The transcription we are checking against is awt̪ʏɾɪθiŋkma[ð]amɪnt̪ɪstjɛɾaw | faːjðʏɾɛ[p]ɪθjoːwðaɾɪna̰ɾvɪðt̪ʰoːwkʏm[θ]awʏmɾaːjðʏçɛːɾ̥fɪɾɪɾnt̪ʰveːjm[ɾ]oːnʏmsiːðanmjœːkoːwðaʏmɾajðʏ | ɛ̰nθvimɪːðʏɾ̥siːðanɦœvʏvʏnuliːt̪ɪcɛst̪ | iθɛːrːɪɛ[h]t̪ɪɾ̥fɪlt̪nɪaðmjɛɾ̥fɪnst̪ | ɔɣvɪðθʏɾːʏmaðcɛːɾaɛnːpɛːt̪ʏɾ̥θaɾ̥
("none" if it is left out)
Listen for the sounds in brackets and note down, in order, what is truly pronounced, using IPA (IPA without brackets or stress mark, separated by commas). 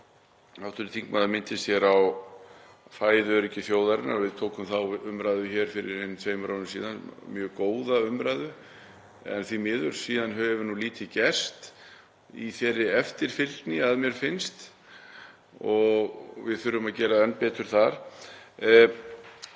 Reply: ð, c, θ, ɾ, f